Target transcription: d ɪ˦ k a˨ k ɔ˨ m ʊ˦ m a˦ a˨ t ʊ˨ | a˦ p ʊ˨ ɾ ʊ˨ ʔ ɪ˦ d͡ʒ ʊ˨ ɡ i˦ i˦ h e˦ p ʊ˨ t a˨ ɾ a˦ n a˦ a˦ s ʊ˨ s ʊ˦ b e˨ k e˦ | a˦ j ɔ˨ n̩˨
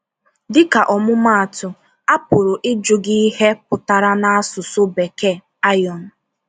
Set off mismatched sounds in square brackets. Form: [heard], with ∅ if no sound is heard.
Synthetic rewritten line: d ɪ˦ k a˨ [ʔ] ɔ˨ m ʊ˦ m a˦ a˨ t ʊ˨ | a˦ p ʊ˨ ɾ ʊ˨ ʔ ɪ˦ d͡ʒ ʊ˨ ɡ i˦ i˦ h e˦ p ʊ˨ t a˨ ɾ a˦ n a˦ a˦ s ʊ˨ s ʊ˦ b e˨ k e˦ | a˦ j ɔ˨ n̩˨